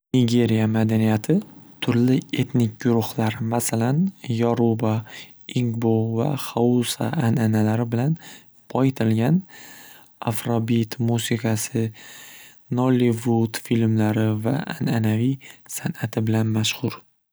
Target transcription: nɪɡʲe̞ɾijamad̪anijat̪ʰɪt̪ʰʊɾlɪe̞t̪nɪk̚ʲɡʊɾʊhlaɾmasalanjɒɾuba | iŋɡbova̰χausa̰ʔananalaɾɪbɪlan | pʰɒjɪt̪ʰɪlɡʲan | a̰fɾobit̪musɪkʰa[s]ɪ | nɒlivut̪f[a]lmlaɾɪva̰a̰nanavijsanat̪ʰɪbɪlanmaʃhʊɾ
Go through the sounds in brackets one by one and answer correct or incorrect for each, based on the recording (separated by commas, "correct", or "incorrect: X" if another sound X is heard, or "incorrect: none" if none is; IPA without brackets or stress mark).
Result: correct, incorrect: i